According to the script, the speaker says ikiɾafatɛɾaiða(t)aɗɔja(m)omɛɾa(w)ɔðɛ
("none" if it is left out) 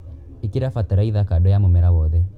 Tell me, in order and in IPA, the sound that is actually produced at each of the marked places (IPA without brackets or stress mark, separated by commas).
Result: k, m, w